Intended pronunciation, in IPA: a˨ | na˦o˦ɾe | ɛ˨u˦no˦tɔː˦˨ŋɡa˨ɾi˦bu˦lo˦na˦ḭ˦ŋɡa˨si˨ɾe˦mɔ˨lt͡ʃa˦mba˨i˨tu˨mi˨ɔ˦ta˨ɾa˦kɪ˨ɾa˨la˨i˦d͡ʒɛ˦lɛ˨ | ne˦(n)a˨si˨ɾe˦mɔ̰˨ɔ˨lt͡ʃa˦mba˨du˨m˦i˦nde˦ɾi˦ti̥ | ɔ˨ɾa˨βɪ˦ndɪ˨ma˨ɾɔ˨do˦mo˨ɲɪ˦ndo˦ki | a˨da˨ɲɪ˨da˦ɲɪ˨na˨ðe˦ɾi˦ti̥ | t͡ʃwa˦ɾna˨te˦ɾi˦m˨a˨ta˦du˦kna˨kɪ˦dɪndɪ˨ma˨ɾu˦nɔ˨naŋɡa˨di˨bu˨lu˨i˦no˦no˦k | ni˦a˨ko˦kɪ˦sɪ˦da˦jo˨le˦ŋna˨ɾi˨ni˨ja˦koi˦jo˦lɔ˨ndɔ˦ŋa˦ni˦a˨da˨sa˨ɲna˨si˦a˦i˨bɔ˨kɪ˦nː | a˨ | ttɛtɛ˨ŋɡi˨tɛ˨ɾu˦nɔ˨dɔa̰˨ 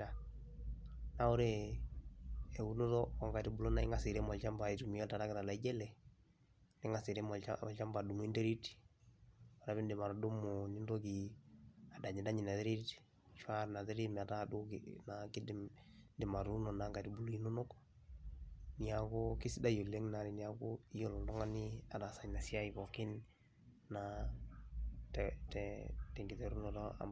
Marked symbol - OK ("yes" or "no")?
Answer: no